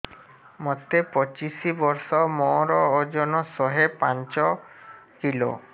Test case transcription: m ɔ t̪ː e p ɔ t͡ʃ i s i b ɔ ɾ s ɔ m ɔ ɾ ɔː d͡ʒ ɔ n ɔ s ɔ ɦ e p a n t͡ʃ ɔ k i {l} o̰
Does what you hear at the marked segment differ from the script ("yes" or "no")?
no